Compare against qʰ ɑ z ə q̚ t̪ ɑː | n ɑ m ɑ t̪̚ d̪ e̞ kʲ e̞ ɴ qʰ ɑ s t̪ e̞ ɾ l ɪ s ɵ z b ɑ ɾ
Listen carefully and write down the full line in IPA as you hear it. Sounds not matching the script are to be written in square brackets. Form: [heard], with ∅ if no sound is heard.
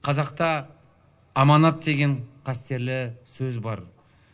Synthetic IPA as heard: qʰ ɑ z [ɑ] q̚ t̪ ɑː | [m] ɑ [n] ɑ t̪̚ d̪ e̞ [ɡʲ] e̞ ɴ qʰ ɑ s t̪ e̞ ɾ l ɪ s ɵ z b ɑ ɾ